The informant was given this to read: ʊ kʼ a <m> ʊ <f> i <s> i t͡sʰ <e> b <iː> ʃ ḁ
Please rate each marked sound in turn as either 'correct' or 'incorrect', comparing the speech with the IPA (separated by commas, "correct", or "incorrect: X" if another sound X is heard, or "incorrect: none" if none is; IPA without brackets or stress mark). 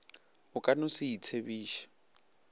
incorrect: n, incorrect: s, incorrect: none, correct, correct